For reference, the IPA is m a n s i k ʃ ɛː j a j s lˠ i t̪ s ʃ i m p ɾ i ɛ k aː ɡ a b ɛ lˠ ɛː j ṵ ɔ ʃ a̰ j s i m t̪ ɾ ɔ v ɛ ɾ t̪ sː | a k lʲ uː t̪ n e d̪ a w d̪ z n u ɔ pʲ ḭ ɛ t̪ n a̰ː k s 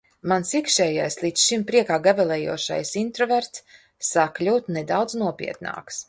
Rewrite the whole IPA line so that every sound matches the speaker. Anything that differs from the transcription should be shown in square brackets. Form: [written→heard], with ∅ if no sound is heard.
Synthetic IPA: m a n s i k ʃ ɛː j a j s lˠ i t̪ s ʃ i m p ɾ i ɛ k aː ɡ a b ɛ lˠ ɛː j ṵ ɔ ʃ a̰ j s i [m→n] t̪ ɾ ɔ v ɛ ɾ t̪ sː | a k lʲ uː t̪ n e d̪ a w d̪ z n u ɔ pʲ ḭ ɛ t̪ n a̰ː k s